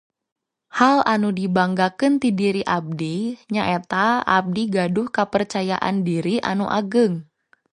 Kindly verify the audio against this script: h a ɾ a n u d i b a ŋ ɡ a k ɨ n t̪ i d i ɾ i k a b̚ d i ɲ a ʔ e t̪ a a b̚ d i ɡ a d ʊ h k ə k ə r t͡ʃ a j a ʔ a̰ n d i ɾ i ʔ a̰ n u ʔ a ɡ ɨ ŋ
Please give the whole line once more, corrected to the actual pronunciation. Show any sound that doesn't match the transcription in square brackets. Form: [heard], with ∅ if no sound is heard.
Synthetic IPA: h a [l] a n u d i b a ŋ ɡ a k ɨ n t̪ i d i ɾ i [ʔ] a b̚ d i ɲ a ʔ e t̪ a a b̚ d i ɡ a d ʊ h k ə [p] ə r t͡ʃ a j a ʔ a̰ n d i ɾ i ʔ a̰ n u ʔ a ɡ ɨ ŋ